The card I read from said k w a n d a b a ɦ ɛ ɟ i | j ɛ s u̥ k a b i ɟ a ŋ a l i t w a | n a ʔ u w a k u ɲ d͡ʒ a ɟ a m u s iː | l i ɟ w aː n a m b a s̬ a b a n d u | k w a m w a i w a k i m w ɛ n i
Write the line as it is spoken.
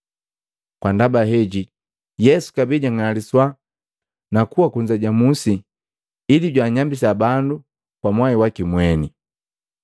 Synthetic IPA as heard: k w a n d a b a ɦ ɛ ɟ i | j ɛ s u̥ k a b i ɟ a ŋ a l i s w a | n a k u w a k u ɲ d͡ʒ a ɟ a m u s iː | l i ɟ w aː ɲ a m b i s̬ a b a n d u | k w a m w a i w a k i m w ɛ n i